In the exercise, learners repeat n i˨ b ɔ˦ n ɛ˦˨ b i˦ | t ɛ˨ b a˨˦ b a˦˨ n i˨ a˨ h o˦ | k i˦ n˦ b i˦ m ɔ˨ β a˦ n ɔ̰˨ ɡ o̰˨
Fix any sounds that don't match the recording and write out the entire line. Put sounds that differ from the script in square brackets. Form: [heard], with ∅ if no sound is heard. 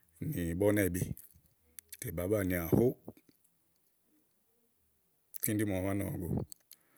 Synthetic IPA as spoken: n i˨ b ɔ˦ n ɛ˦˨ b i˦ | t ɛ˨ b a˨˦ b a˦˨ n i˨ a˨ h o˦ | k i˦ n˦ [d] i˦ m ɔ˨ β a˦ n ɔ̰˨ ɡ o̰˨